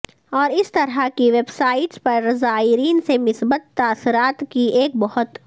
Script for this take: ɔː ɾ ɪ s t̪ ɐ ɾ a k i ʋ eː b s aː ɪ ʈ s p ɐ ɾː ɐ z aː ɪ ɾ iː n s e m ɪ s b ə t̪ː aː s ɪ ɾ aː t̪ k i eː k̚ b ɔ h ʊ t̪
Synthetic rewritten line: ɔː ɾ ɪ s t̪ ɐ ɾ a k i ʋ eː b s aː ɪ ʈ s p ɐ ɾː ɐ z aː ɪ ɾ iː n s e m ɪ s b ə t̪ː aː s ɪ ɾ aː t̪ k i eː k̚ b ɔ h ʊ t̪